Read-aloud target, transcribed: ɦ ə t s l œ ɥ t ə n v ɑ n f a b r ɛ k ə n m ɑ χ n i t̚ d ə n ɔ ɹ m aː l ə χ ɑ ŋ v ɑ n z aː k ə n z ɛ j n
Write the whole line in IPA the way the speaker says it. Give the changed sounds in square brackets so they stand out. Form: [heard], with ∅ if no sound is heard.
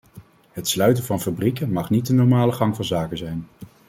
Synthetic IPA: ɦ ə t s l œ ɥ t ə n v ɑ n f a b r [i] k ə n m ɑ χ n i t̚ d ə n ɔ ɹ m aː l ə χ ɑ ŋ v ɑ n z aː k ə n z ɛ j n